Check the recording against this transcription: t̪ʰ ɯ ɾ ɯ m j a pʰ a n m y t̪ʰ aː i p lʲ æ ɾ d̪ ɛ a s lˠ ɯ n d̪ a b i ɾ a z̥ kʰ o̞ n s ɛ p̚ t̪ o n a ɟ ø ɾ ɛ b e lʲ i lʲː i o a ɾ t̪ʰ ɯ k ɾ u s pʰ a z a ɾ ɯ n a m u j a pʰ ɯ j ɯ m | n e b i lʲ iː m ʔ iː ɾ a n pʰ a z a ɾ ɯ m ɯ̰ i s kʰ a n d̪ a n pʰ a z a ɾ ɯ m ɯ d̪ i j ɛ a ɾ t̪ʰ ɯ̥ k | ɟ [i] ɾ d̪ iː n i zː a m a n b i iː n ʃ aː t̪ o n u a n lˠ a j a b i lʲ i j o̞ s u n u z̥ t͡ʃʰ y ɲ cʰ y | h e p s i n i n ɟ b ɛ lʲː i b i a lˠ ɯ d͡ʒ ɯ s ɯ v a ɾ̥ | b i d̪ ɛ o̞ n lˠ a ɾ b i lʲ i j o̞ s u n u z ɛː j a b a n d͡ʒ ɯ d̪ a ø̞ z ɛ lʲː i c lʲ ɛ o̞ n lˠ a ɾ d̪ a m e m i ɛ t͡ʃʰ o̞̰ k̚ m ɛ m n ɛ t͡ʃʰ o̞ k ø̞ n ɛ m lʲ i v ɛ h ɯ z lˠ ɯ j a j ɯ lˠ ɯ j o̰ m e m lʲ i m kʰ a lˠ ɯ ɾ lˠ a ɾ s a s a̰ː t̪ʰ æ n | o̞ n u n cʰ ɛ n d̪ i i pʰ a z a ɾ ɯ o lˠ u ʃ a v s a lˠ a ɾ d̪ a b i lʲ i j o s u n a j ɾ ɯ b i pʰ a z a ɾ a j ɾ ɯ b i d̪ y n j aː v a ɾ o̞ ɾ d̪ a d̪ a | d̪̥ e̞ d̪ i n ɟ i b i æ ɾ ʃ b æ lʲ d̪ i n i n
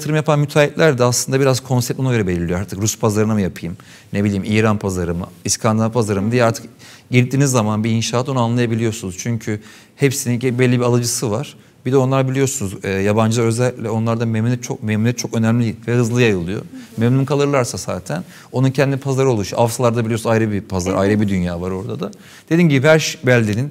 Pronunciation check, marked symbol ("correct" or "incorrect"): correct